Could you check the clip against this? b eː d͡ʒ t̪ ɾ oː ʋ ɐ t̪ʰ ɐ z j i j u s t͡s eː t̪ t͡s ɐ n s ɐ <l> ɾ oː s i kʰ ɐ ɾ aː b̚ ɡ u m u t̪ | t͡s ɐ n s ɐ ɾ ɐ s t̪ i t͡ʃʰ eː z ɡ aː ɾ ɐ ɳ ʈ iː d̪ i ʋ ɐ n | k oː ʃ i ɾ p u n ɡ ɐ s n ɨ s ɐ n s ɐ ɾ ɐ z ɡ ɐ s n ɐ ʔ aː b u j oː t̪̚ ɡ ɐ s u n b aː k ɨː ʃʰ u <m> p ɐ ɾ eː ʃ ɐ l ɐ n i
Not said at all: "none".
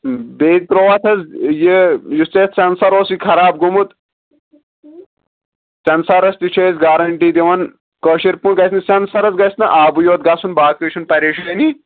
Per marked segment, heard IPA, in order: none, n

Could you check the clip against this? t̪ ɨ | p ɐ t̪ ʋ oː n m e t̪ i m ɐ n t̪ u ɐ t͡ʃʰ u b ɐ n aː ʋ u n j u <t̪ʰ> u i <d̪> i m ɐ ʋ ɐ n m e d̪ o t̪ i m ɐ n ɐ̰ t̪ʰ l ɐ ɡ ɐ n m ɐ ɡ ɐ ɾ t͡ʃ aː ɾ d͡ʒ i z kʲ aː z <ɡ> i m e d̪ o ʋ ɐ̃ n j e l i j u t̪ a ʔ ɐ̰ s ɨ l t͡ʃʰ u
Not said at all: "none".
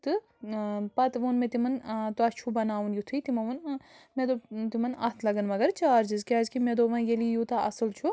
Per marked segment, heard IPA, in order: t̪ʰ, t̪, k

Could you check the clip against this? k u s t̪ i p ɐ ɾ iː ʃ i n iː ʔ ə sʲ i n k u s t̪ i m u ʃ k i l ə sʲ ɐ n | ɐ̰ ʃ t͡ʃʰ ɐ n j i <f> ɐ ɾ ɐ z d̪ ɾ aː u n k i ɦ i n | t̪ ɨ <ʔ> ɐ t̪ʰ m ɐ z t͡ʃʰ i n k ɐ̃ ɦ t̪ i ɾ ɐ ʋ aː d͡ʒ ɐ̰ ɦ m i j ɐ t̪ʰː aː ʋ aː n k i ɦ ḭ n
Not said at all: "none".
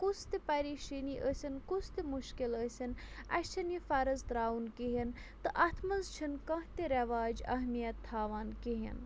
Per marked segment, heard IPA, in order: f, ʔ

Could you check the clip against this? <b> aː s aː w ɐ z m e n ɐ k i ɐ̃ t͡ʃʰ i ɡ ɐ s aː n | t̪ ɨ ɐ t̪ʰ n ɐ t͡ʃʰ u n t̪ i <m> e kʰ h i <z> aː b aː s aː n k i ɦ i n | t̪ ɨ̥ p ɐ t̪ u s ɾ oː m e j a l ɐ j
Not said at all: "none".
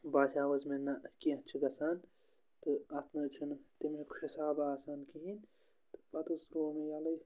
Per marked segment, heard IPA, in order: b, m, s

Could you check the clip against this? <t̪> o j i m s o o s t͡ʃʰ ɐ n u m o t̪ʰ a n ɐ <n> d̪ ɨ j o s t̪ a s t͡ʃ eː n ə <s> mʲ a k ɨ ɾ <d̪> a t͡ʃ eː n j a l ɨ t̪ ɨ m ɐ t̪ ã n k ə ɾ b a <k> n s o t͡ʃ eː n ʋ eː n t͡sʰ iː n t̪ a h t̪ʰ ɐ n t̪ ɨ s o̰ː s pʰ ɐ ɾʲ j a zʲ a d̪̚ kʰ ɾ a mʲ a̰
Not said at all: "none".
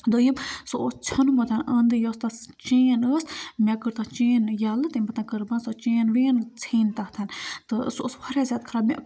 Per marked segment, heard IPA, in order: d̪, n, s, t̪, none

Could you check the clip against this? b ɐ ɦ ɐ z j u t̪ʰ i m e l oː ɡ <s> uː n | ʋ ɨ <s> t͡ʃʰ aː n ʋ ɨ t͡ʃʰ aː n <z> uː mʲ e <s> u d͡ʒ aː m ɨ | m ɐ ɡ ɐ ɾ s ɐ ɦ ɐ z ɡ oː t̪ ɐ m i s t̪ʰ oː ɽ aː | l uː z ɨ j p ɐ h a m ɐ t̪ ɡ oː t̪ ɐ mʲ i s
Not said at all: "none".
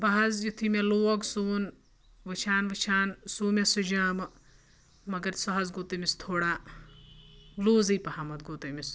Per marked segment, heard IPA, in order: s, none, s, s

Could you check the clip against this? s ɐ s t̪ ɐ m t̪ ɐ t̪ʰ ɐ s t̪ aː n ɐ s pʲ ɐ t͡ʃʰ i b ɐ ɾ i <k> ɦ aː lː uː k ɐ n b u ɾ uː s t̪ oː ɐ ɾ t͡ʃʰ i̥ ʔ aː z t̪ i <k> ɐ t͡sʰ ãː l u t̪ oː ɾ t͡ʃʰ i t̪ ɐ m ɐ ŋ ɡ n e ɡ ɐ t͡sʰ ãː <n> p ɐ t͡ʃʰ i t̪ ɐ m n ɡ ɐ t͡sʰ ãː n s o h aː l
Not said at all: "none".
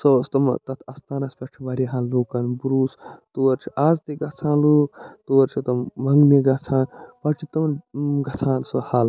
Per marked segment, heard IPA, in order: none, ɡ, n

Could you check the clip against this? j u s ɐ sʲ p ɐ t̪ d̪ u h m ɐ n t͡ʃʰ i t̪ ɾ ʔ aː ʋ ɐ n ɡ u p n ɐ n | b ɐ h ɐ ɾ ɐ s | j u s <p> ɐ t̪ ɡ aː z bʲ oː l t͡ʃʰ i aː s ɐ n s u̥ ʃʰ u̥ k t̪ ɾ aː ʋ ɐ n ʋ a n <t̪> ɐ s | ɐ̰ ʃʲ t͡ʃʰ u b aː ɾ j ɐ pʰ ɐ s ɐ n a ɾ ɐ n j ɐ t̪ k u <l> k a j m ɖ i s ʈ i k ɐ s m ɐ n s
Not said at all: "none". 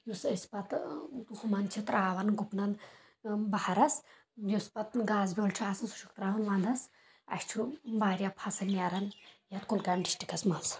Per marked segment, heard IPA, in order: p, d̪, l

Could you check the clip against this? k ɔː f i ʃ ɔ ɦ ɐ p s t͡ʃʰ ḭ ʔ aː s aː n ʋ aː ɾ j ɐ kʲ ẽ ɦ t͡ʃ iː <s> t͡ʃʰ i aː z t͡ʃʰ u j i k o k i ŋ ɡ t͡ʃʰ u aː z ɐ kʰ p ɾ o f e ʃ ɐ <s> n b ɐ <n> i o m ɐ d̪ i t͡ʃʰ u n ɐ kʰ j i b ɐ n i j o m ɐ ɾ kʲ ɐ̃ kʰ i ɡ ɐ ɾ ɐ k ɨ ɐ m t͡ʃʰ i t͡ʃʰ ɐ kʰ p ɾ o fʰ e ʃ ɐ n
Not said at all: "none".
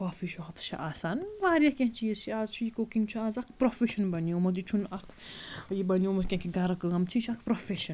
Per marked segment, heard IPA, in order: z, none, n

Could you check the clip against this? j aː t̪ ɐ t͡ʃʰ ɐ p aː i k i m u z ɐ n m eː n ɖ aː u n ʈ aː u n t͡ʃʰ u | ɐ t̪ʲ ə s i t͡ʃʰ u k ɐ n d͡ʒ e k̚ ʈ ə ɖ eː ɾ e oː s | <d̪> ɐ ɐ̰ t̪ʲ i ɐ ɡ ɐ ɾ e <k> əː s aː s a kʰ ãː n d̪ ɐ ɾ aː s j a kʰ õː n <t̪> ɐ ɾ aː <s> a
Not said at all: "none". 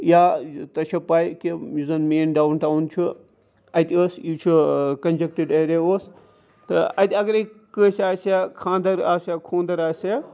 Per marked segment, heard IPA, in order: t̪, k, d̪, s

